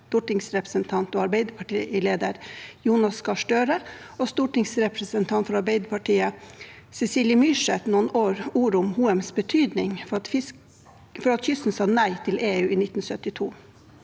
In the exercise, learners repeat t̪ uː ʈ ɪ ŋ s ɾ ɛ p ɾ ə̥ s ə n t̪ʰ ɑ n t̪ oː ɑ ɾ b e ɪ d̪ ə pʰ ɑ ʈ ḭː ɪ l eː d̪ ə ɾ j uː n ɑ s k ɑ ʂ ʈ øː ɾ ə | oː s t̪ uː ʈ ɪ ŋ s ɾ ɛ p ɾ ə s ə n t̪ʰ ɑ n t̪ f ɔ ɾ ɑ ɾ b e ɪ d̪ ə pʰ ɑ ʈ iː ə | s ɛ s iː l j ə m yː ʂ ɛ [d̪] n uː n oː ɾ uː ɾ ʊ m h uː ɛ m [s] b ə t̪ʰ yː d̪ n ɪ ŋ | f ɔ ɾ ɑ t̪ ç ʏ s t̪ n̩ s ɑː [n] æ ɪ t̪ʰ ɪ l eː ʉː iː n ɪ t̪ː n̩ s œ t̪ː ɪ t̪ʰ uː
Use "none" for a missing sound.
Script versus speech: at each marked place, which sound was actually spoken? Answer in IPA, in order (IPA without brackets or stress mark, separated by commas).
t̪, s, n